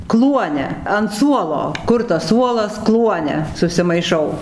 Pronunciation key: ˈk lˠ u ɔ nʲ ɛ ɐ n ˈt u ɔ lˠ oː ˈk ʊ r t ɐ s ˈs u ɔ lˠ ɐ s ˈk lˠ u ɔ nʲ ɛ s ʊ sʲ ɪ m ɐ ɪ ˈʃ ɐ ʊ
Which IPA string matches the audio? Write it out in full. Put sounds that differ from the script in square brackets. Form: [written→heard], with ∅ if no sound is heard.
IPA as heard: ˈk lˠ u ɔ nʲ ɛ ɐ n [ˈt→ˈs] u ɔ lˠ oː ˈk ʊ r t ɐ s ˈs u ɔ lˠ ɐ s ˈk lˠ u ɔ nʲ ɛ s ʊ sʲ ɪ m ɐ ɪ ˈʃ ɐ ʊ